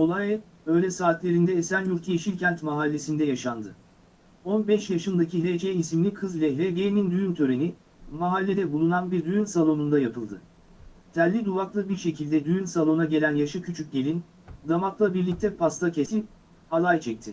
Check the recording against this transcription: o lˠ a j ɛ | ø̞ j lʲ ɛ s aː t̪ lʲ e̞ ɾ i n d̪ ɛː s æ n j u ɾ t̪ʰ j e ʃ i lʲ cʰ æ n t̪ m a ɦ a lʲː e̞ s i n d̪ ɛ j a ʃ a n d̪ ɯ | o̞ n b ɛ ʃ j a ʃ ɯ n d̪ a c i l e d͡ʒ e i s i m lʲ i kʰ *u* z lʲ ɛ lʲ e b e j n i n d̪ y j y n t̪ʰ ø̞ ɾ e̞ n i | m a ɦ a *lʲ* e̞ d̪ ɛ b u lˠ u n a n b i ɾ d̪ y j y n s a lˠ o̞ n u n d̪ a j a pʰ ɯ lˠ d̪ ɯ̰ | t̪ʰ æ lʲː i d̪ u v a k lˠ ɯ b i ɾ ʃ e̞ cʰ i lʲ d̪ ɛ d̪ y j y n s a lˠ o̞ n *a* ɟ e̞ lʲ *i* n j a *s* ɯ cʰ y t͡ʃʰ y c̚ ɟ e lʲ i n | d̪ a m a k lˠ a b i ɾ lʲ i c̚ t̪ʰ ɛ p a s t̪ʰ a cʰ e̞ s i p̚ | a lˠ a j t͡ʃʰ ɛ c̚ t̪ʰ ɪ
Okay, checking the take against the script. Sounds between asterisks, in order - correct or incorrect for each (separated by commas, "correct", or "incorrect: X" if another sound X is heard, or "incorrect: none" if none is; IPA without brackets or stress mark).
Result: incorrect: ɯ, incorrect: lʲː, correct, incorrect: æ, incorrect: ʃ